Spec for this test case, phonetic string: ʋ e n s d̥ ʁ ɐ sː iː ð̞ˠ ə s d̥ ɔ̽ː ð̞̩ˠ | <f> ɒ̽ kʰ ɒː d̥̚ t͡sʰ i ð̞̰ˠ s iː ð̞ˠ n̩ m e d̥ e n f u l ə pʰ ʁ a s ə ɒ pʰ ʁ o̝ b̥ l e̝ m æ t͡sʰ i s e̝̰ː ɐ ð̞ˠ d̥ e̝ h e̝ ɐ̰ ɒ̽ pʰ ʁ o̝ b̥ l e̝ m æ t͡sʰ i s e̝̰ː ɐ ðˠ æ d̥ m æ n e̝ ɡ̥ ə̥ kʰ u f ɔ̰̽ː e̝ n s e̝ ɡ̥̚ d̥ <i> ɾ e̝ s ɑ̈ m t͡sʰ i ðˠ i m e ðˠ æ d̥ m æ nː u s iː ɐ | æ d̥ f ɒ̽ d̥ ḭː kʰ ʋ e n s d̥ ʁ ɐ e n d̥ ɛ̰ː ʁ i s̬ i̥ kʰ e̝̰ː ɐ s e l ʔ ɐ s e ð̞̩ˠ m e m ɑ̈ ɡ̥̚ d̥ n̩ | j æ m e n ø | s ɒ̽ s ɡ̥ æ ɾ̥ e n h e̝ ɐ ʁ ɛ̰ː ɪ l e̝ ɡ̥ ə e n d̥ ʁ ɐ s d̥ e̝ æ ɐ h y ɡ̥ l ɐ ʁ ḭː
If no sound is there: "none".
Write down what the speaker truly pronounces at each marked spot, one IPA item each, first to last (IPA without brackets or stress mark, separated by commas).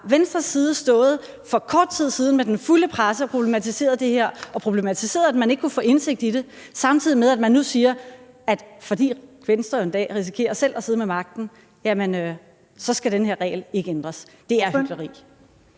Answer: f, i